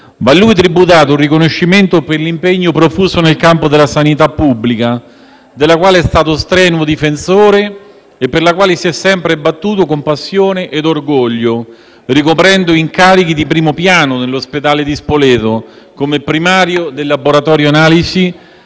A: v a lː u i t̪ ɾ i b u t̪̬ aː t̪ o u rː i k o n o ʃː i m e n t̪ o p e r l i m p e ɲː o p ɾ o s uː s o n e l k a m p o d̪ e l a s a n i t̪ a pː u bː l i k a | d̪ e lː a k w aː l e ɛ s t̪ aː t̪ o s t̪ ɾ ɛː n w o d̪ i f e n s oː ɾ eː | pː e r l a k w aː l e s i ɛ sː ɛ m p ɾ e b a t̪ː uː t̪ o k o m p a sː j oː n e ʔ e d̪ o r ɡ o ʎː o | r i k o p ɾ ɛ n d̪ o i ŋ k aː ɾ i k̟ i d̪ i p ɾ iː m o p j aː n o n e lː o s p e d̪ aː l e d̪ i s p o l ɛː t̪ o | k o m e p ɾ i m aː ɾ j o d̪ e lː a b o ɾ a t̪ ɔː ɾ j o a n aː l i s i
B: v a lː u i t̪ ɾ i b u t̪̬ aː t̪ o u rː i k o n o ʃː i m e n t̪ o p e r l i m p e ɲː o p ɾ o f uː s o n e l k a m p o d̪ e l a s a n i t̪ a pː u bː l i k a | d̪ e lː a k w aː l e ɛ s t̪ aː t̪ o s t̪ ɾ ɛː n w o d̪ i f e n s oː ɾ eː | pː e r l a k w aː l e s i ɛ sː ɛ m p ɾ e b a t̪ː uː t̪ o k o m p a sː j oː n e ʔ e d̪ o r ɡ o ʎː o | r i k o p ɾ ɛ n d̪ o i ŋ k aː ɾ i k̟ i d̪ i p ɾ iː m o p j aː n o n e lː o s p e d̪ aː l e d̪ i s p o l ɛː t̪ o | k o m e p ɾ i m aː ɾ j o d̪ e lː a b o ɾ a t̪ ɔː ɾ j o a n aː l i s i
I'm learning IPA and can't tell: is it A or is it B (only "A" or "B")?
B